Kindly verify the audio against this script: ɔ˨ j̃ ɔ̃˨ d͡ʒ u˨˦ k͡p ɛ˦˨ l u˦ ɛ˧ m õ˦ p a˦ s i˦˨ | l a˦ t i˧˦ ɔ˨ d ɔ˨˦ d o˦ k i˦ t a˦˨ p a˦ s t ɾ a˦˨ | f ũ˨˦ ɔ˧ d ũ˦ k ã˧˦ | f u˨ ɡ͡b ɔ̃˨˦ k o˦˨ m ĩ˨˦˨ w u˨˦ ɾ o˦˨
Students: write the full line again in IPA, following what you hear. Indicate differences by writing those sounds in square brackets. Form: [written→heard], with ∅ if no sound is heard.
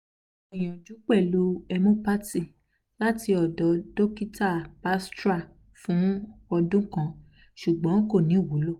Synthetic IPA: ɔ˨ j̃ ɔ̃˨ d͡ʒ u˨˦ k͡p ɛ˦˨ l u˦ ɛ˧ m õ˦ p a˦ [s→t] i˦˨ | l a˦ t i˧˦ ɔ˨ d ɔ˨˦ d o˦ k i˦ t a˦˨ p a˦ s t ɾ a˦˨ | f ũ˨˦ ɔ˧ d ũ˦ k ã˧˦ | [f→ʃ] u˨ ɡ͡b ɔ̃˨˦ k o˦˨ [m→n] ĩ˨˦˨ w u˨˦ [ɾ→l] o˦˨